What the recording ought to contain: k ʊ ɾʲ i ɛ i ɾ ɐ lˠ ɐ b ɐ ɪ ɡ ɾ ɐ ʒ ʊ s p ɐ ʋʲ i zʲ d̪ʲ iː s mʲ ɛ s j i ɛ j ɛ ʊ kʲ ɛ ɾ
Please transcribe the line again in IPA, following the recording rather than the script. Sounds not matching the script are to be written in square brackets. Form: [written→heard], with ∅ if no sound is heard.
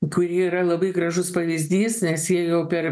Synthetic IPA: k ʊ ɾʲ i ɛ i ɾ ɐ lˠ ɐ b ɐ ɪ ɡ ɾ ɐ ʒ ʊ s p ɐ ʋʲ i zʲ d̪ʲ iː s [mʲ→nʲ] ɛ s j i ɛ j ɛ ʊ [kʲ→pʲ] ɛ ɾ